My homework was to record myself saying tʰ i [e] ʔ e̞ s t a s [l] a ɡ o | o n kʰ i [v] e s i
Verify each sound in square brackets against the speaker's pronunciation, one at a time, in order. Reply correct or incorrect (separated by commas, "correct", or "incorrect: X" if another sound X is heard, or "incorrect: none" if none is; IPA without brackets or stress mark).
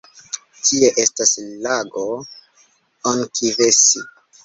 correct, correct, correct